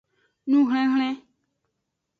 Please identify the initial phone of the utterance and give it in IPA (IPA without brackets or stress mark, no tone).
n